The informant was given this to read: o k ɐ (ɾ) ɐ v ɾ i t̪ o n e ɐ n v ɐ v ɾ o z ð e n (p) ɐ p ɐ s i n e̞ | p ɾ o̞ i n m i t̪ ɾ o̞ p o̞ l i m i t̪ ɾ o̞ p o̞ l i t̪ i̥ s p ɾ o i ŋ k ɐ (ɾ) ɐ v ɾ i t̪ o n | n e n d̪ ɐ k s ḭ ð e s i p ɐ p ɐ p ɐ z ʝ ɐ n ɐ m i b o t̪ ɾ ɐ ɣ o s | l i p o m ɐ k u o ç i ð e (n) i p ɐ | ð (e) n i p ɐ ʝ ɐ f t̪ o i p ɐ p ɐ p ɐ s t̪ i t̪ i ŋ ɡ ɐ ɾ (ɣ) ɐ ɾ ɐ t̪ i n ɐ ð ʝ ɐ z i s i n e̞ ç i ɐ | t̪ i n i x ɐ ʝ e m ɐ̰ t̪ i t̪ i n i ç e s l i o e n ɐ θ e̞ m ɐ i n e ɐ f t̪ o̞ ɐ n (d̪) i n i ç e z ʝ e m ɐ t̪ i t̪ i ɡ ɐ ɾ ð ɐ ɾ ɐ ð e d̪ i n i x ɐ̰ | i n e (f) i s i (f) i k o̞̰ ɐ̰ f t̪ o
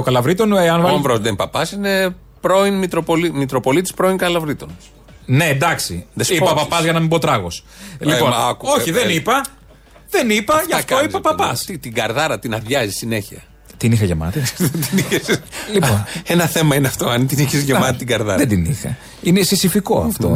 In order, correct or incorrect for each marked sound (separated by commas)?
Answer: incorrect, correct, incorrect, correct, correct, incorrect, incorrect, incorrect, correct